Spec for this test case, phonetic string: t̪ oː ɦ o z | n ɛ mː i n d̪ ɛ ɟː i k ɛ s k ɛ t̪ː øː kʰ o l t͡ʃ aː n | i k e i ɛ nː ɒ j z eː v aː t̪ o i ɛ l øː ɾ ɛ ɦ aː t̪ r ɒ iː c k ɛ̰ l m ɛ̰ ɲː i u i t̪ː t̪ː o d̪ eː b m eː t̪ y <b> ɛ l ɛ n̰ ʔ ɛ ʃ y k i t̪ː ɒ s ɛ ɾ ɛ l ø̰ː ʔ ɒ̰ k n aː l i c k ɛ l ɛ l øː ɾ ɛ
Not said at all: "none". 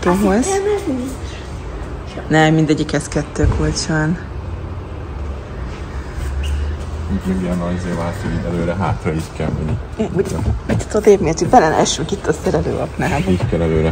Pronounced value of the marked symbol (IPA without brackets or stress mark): b